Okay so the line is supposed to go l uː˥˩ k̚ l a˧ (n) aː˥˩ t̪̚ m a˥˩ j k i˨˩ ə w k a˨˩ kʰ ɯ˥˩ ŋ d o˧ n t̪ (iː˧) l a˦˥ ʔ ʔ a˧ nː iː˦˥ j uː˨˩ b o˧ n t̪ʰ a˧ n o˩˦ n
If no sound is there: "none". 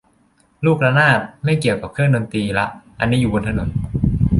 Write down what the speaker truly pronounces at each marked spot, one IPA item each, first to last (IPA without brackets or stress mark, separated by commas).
n, iː˧